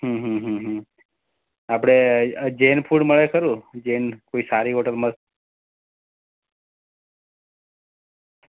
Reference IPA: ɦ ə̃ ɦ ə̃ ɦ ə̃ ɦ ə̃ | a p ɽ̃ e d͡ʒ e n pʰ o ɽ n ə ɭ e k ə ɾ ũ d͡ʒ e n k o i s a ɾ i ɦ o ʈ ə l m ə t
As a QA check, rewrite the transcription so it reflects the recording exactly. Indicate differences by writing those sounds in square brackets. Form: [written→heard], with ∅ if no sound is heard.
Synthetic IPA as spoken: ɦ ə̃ ɦ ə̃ ɦ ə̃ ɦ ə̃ | a p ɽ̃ e d͡ʒ e n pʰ [o→u] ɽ [n→m] ə ɭ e k ə ɾ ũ d͡ʒ e n k o i s a ɾ i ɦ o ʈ ə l m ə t